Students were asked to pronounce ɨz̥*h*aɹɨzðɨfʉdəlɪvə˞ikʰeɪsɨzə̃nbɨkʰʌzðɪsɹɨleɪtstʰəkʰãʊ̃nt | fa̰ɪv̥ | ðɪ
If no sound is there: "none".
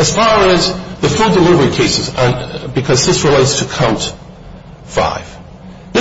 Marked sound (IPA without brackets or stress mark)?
f